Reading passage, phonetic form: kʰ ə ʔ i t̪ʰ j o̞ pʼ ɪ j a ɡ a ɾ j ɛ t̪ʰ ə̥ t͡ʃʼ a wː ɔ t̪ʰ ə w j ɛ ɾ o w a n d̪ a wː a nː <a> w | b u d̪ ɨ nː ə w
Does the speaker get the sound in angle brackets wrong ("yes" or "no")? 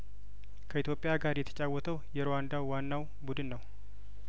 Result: no